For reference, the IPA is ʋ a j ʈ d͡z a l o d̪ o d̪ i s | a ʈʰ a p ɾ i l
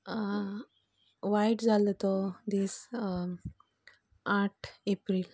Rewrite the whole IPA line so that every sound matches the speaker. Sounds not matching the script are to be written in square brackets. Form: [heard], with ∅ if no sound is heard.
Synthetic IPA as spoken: ʋ a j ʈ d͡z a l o [t̪] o d̪ i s | a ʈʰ [e] p ɾ i l